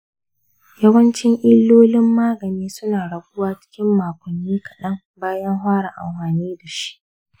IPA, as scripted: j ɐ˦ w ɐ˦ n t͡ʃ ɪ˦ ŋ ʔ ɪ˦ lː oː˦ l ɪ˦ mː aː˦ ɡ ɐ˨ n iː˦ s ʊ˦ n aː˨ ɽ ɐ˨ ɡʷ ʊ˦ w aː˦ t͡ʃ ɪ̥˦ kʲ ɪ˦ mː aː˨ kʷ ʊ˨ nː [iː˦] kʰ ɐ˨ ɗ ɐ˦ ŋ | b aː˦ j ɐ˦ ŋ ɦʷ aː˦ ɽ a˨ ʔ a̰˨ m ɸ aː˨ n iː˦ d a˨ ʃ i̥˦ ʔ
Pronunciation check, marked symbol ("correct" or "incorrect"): correct